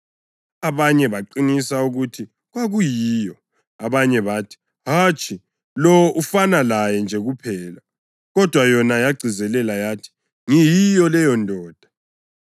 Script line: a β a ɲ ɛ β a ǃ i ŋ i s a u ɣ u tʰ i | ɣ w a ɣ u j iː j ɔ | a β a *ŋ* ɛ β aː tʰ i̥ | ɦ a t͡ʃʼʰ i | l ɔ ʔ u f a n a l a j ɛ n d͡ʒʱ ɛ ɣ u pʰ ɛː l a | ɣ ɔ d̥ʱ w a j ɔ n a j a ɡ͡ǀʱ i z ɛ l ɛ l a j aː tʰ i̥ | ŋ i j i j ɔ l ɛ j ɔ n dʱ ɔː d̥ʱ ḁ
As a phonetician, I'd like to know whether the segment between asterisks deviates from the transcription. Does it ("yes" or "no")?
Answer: yes